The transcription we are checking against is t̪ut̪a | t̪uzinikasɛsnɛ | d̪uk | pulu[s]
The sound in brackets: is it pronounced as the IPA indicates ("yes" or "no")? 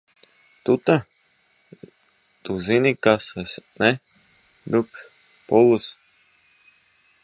yes